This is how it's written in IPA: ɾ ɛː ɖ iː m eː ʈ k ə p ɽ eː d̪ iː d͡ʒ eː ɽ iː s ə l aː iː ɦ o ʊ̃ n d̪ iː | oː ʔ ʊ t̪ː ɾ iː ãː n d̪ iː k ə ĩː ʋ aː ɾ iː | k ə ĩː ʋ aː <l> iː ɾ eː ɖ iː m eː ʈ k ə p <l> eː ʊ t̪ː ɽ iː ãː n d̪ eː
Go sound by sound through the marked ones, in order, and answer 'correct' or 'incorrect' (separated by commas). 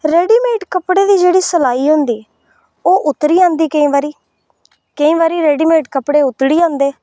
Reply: incorrect, incorrect